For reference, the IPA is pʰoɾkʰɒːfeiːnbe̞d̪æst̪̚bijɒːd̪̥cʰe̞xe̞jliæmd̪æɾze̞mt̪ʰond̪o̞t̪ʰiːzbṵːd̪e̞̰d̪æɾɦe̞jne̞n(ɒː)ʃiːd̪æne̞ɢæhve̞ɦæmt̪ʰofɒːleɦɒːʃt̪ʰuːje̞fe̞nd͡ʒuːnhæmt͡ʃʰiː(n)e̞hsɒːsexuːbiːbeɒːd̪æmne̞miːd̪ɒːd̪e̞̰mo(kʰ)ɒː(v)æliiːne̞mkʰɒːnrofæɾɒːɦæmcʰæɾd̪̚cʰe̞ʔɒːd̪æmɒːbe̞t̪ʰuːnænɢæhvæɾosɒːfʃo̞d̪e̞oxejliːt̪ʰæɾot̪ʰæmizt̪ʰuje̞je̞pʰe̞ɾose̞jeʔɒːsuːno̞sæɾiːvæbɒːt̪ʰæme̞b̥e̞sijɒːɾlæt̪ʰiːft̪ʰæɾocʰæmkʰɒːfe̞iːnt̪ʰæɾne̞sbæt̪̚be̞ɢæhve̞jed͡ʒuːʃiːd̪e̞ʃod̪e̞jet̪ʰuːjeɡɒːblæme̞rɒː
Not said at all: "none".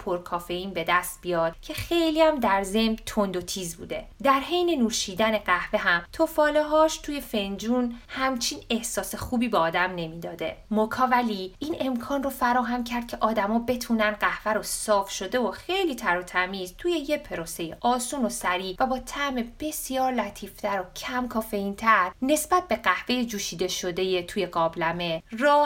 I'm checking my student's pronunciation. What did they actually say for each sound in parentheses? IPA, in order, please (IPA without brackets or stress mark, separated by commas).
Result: uː, n, kʰ, v